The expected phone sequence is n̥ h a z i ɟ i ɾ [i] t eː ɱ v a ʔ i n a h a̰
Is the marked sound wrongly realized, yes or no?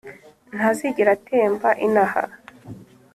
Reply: yes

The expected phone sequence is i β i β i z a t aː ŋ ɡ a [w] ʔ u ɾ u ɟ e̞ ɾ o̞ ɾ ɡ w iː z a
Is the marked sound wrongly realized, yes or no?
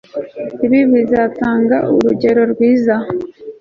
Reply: yes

